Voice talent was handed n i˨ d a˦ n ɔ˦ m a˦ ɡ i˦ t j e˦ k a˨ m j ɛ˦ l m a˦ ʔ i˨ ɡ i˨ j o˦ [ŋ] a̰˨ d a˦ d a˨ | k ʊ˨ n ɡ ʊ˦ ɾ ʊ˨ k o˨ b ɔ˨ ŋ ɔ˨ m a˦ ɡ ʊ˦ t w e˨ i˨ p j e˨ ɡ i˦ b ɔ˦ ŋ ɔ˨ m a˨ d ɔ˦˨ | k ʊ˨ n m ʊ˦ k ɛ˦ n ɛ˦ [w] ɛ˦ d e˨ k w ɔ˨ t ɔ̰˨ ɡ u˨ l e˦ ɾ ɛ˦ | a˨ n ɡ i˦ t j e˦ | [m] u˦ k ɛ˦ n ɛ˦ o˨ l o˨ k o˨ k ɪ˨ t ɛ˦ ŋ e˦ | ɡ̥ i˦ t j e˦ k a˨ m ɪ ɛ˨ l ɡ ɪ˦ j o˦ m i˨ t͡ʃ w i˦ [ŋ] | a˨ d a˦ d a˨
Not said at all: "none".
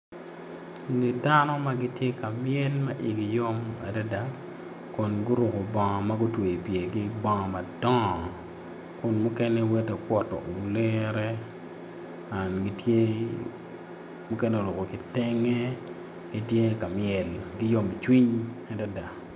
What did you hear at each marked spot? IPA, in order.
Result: m, w, m, ɲ

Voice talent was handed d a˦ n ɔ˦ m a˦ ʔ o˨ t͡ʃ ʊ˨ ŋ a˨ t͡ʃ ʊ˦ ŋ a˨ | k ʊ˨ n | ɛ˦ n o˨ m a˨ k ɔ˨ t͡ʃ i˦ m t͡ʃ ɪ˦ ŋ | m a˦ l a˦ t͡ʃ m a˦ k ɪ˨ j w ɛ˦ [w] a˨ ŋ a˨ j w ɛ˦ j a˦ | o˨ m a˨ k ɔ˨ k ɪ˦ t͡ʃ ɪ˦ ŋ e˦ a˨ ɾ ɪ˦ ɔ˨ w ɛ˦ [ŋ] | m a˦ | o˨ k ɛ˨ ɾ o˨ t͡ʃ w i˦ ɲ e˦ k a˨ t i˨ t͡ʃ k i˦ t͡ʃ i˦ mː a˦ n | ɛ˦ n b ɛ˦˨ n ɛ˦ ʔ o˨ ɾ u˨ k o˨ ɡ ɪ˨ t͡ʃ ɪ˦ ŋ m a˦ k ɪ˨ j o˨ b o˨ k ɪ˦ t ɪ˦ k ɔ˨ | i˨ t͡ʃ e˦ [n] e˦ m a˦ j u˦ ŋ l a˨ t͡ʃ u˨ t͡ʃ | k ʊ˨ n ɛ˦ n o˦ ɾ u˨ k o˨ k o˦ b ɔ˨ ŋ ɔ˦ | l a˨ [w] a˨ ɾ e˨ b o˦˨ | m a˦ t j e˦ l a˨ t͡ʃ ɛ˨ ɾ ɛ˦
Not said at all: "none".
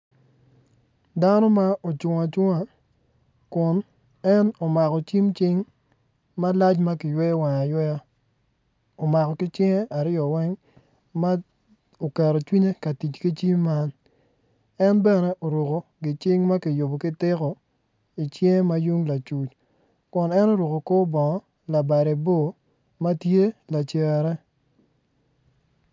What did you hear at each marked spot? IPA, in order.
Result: w, ŋ, ŋ, b

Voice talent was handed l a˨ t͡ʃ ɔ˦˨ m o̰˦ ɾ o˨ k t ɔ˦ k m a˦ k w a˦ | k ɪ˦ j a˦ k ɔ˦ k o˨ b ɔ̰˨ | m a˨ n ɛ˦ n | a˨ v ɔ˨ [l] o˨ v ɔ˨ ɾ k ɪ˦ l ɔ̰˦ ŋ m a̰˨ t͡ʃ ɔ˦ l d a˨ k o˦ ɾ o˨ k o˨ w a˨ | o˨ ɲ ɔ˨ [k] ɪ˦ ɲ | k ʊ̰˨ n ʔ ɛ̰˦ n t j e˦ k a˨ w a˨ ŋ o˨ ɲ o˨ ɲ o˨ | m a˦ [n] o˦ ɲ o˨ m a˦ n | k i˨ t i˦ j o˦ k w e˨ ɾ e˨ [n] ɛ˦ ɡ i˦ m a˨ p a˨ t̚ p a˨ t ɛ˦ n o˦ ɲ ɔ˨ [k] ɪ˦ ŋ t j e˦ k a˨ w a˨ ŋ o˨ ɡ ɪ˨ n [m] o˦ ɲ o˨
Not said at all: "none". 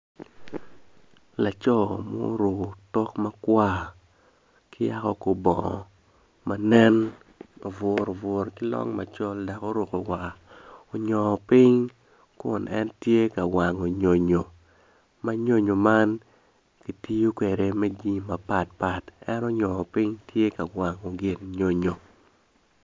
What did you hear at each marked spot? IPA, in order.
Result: ɾ, p, ɲ, m, p, ɲ

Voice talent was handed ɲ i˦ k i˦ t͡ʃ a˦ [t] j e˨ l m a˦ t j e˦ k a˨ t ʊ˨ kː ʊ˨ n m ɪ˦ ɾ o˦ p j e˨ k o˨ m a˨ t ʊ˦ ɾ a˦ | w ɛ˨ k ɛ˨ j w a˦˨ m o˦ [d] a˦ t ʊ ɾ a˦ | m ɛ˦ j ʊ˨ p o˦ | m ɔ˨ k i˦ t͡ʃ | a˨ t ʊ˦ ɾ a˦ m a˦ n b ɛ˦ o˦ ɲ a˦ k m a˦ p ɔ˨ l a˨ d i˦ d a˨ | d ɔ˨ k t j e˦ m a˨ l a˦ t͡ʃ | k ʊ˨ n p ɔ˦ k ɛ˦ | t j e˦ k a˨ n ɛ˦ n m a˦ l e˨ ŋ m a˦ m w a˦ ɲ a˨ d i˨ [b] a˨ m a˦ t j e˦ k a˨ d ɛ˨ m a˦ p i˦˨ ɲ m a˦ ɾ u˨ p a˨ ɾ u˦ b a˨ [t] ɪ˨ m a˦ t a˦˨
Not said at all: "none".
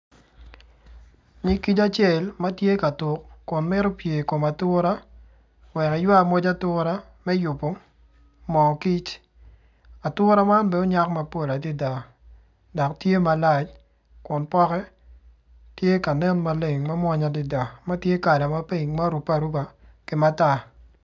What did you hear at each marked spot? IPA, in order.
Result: t͡ʃ, d͡ʒ, d, k

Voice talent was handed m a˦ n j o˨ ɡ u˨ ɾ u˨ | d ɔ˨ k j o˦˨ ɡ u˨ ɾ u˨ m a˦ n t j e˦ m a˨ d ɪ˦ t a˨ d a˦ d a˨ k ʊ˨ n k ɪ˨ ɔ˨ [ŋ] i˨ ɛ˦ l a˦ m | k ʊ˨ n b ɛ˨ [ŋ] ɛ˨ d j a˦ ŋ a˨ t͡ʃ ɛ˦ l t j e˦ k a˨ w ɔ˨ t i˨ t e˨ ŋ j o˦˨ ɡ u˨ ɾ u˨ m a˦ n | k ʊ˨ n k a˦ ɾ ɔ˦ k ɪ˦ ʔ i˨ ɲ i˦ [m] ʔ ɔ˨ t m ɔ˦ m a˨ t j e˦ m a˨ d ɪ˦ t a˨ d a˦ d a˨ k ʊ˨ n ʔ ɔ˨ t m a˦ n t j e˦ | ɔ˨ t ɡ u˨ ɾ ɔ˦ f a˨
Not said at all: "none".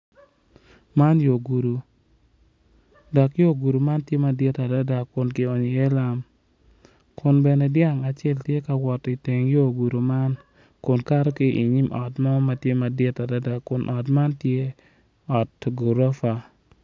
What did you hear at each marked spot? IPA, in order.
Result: ɲ, n, m

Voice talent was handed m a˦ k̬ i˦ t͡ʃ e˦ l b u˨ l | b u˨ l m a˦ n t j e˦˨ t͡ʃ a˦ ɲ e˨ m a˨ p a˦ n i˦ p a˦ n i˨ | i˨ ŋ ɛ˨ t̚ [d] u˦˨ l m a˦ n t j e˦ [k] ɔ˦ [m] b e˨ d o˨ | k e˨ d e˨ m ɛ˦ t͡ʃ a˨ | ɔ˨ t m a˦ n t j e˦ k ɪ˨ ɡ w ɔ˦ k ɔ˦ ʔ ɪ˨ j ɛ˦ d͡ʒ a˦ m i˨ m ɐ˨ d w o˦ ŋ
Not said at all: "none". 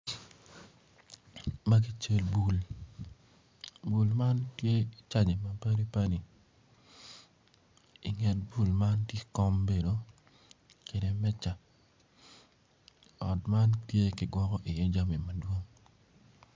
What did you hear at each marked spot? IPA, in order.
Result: b, k, m

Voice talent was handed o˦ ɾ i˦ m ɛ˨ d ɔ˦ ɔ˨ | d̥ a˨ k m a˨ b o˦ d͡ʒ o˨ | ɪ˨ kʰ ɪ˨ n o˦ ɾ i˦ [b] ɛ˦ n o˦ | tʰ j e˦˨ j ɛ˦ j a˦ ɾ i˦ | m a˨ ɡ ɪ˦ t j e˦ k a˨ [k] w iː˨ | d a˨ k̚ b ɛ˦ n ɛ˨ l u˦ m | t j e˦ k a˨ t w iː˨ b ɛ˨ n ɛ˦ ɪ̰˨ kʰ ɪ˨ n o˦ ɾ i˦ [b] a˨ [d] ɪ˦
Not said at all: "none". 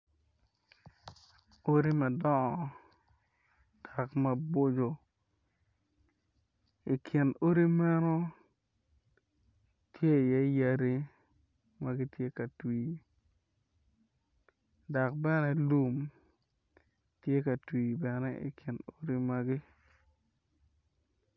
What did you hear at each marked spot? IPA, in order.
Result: m, t, m, ɡ

